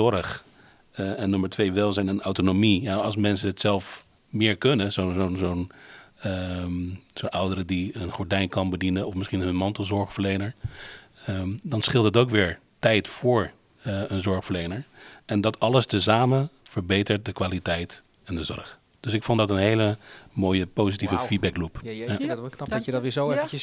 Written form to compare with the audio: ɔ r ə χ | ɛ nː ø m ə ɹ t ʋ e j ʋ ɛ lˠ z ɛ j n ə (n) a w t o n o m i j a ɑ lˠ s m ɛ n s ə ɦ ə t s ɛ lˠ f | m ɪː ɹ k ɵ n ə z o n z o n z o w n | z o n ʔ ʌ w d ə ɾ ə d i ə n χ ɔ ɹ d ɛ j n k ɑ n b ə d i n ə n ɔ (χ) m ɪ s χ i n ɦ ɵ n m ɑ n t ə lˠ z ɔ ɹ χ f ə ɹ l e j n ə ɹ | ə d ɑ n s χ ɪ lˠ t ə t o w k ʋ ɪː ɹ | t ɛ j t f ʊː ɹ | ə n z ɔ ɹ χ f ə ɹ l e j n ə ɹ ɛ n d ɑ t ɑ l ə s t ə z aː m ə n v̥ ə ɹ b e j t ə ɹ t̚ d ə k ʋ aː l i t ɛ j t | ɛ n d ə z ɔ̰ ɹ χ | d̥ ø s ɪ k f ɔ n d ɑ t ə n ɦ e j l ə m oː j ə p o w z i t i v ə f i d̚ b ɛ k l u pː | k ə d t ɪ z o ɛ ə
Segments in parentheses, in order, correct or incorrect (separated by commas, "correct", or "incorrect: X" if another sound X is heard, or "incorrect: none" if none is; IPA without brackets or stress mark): correct, incorrect: f